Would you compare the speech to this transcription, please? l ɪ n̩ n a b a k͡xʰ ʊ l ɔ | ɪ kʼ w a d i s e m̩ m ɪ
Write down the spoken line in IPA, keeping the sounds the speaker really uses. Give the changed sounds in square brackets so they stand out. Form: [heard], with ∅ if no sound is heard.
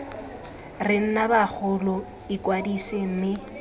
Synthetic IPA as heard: [r] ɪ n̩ n a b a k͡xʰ ʊ l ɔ | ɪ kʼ w a d i s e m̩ m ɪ